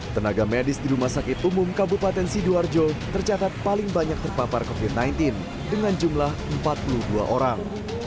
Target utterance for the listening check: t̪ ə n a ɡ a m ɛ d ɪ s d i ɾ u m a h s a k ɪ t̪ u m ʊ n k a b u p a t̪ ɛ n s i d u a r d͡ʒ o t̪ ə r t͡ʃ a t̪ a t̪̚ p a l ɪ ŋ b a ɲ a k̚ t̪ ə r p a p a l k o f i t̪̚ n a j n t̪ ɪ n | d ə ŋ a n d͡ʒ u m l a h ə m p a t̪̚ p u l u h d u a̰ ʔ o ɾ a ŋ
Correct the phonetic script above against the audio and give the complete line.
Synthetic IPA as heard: t̪ ə n a ɡ a m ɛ d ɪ s d i ɾ u m a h s a k ɪ t̪ u m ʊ m k a b u p a t̪ ɛ n s i d u a r d͡ʒ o t̪ ə r t͡ʃ a t̪ a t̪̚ p a l ɪ ŋ b a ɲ a k̚ t̪ ə r p a p a r k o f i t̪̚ n a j n t̪ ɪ n | d ə ŋ a n d͡ʒ u m l a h ə m p a t̪̚ p u l u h d u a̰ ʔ o ɾ a ŋ